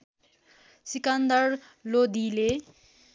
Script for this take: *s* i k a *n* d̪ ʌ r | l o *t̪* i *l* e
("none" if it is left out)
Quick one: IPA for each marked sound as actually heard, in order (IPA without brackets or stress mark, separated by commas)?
s, n, d̪, l